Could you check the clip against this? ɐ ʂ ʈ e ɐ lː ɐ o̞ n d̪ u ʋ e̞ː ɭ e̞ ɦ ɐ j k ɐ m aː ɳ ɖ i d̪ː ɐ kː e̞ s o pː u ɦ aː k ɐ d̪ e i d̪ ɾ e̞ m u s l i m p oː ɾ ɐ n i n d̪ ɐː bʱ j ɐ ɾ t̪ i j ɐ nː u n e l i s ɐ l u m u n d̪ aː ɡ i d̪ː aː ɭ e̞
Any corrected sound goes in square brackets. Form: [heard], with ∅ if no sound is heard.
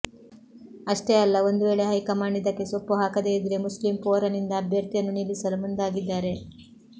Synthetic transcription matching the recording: ɐ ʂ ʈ e ɐ lː ɐ o̞ n d̪ u ʋ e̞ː ɭ e̞ ɦ ɐ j k ɐ m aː ɳ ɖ i [d̪] ɐ kː e̞ s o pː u ɦ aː k ɐ d̪ e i d̪ ɾ e̞ m u s l i m p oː ɾ ɐ n i n d̪ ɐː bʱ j ɐ ɾ t̪ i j ɐ nː u n [i] l i s ɐ l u m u n d̪ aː ɡ i d̪ː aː [ɾ] e̞